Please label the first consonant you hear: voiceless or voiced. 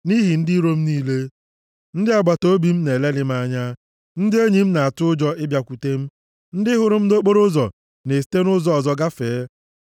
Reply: voiced